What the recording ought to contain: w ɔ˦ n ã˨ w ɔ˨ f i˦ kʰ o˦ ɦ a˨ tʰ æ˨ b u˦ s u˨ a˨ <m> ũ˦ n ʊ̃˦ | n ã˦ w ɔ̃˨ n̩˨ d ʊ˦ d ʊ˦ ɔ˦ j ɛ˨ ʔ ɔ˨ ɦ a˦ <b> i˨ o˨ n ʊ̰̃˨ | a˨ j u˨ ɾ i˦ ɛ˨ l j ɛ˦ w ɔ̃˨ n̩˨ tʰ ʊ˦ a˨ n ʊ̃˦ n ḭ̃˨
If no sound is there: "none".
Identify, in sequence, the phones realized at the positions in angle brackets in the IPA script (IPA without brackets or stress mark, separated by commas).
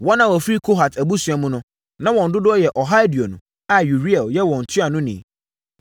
m, d